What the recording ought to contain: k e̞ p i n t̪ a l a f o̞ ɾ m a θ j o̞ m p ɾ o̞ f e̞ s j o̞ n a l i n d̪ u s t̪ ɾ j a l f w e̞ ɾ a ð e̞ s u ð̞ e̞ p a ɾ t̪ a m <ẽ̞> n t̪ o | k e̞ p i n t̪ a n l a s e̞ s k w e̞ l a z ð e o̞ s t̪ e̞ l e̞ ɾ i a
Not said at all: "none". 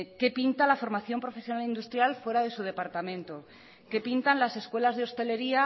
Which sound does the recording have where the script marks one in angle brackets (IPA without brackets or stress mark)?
ẽ̞